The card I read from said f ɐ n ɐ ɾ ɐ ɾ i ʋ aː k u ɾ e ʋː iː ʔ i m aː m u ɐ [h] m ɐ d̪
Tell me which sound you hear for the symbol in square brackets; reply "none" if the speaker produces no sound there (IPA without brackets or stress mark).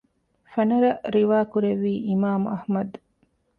h